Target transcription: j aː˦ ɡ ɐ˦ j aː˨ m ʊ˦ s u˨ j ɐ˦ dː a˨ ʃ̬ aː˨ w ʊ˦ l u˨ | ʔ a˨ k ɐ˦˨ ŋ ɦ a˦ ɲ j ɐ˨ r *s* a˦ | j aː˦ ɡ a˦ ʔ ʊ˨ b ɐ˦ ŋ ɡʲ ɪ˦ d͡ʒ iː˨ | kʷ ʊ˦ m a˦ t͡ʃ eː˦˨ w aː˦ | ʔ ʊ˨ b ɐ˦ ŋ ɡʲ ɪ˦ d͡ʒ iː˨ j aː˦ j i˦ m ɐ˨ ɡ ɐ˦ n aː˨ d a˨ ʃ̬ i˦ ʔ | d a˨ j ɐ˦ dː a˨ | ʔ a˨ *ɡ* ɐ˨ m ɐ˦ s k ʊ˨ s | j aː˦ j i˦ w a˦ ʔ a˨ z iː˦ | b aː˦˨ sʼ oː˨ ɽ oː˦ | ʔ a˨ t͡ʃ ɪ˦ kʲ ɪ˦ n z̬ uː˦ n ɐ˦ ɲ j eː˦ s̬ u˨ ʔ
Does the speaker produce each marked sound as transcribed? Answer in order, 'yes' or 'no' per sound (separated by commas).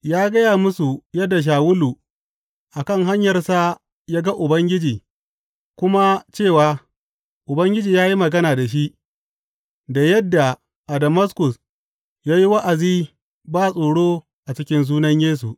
yes, no